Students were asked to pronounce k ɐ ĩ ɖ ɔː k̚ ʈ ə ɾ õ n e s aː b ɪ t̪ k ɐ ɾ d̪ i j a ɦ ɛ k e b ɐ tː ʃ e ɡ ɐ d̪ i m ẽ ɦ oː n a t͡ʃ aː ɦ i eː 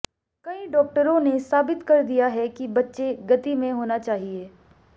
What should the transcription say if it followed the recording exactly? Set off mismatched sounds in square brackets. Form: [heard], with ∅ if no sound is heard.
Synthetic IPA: k ɐ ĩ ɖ ɔː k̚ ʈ ə ɾ õ n e s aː b ɪ t̪ k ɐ ɾ d̪ i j a ɦ ɛ k [i] b ɐ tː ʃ e ɡ ɐ [t̪] i m ẽ ɦ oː n a t͡ʃ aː ɦ i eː

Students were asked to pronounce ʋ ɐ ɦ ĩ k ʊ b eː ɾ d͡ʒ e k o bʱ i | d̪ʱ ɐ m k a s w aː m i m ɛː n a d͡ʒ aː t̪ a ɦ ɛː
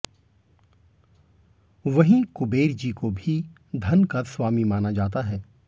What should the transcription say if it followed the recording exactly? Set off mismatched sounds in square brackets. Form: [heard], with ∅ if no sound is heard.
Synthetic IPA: ʋ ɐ ɦ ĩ k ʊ b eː ɾ d͡ʒ [i] k o bʱ i | d̪ʱ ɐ [n] k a s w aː m i m [aː] n a d͡ʒ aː t̪ a ɦ ɛː

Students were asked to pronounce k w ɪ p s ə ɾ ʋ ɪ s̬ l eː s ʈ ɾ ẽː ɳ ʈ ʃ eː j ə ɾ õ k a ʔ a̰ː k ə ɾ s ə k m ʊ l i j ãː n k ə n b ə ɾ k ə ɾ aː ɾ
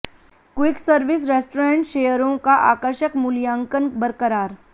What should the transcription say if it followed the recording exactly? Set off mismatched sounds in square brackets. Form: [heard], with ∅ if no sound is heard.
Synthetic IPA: k w ɪ [k] s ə ɾ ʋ ɪ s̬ [ɾ] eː s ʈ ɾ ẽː ɳ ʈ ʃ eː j ə ɾ õ k a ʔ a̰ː k ə ɾ [ʃ] ə k m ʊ l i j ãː [ŋ] k ə n b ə ɾ k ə ɾ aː ɾ

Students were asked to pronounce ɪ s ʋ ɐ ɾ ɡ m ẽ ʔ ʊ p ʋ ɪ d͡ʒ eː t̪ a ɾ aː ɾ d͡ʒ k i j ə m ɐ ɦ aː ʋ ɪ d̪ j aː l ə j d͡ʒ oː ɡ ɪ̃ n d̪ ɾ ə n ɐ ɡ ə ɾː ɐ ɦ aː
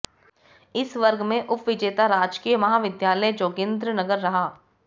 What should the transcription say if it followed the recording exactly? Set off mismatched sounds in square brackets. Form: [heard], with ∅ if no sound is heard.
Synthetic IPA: ɪ s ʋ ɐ ɾ ɡ m ẽ ʔ ʊ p ʋ ɪ d͡ʒ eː t̪ a ɾ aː [∅] d͡ʒ k i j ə m ɐ ɦ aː ʋ ɪ d̪ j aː l ə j d͡ʒ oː ɡ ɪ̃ n d̪ ɾ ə n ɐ ɡ ə ɾː ɐ ɦ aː

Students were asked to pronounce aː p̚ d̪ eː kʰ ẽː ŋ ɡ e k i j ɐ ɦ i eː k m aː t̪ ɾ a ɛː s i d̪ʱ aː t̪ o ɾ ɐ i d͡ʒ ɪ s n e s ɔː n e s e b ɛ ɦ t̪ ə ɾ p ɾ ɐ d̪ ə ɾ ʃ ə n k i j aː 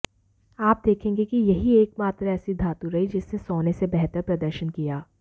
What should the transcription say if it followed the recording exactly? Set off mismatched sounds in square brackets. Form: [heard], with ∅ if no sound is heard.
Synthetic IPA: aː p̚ d̪ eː kʰ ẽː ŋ ɡ e k i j ɐ ɦ i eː k m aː t̪ ɾ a ɛː s i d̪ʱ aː t̪ [u] ɾ ɐ i d͡ʒ ɪ s n e s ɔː n e s e b ɛ ɦ t̪ ə ɾ p ɾ ɐ d̪ ə ɾ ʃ ə n k i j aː

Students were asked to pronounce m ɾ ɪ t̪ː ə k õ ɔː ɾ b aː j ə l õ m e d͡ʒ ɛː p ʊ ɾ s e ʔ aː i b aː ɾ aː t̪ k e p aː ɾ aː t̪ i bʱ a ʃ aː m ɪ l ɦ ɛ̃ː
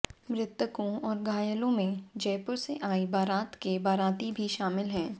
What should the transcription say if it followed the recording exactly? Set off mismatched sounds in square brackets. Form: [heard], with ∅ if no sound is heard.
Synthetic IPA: m ɾ ɪ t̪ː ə k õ ɔː ɾ [ɡ] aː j ə l õ m [ẽ] d͡ʒ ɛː p ʊ ɾ s e ʔ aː i b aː ɾ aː t̪ k e [b] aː ɾ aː t̪ i bʱ [i] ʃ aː m ɪ l ɦ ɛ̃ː

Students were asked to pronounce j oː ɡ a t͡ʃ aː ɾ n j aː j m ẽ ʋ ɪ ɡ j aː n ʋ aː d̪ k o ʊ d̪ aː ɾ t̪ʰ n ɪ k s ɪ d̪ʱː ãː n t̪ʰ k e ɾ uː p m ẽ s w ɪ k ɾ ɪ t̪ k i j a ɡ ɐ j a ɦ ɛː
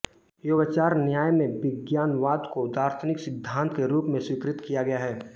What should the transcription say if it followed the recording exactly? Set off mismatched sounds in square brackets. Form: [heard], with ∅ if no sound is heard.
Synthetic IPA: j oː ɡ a t͡ʃ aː ɾ n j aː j m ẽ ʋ ɪ ɡ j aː n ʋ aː d̪ k o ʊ d̪ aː ɾ t̪ʰ n ɪ k s ɪ d̪ʱː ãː n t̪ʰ k e ɾ uː p m ẽ s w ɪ k ɾ ɪ t̪ k i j a ɡ ɐ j a ɦ ɛː

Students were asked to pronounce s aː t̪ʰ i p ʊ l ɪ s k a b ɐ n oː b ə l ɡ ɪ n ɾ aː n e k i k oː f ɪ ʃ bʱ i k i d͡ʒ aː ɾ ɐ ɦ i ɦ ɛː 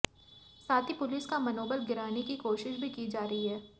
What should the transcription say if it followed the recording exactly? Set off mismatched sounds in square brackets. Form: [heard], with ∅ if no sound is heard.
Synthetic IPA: s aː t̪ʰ i p ʊ l ɪ s k a [m] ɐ n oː b ə l ɡ ɪ [∅] ɾ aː n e k i k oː [ʃ] ɪ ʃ bʱ i k i d͡ʒ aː ɾ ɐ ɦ i ɦ ɛː

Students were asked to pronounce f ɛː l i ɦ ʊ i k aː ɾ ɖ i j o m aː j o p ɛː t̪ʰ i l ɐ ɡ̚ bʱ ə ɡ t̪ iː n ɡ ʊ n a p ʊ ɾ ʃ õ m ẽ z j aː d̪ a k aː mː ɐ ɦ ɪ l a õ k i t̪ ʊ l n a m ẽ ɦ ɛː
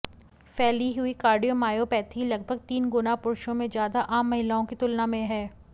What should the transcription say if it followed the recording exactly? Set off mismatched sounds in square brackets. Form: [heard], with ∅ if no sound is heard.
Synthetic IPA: f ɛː l i ɦ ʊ i k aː ɾ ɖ i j o m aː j o p ɛː t̪ʰ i l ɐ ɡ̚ bʱ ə ɡ t̪ iː n ɡ ʊ n a p ʊ ɾ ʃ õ m ẽ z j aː d̪ a [ʔ] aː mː ɐ ɦ ɪ l a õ k i t̪ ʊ l n a m ẽ ɦ ɛː

